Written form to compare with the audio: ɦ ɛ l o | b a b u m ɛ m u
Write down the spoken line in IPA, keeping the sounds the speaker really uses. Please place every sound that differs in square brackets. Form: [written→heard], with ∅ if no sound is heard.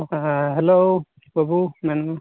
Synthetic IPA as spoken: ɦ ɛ l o | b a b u m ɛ [m→n] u